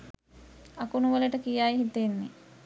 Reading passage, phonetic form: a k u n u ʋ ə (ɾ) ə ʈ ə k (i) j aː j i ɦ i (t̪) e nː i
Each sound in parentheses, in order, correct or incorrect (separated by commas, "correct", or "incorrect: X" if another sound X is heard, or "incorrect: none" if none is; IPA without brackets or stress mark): incorrect: l, correct, correct